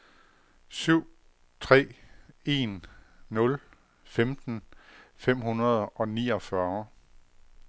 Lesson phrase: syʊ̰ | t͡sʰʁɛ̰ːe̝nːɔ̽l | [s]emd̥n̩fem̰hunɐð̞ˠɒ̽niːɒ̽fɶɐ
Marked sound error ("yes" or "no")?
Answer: yes